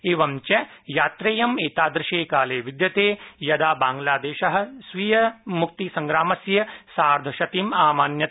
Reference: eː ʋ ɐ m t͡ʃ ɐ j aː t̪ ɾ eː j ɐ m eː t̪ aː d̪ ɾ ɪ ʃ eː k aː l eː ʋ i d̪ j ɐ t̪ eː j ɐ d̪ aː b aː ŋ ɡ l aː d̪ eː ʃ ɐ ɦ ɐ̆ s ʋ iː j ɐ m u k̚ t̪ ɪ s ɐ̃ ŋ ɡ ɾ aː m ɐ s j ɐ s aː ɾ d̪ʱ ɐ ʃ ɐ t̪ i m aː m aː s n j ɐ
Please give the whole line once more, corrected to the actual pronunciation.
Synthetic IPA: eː ʋ ɐ m t͡ʃ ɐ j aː t̪ ɾ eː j ɐ m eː t̪ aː d̪ ɾ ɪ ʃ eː k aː l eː ʋ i d̪ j ɐ t̪ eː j ɐ d̪ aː b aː ŋ ɡ l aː d̪ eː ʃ ɐ ɦ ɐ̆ s ʋ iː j ɐ m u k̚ t̪ i s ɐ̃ ŋ ɡ ɾ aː m ɐ s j ɐ s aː ɾ d̪ʱ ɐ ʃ ɐ t̪ i m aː m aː n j ɐ

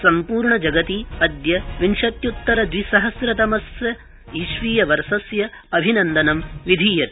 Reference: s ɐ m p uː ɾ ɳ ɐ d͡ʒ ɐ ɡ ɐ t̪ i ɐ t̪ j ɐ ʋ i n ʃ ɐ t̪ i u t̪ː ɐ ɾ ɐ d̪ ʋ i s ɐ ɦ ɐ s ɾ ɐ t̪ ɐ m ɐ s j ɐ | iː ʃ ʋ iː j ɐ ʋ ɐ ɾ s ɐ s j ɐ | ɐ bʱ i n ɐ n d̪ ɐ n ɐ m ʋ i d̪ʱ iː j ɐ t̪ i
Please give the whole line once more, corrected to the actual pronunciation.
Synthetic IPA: s ɐ m p uː ɾ ɳ ɐ d͡ʒ ɐ ɡ ɐ t̪ i ɐ d̪ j ɐ ʋ i n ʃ ɐ t̪ j u t̪ː ɐ ɾ ɐ d̪ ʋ i s ɐ ɦ ɐ s ɾ ɐ t̪ ɐ m ɐ s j ɐ | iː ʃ ʋ iː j ɐ ʋ ɐ ɾ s ɐ s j ɐ | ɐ bʱ i n ɐ n d̪ ɐ n ɐ m ʋ i d̪ʱ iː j ɐ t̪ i

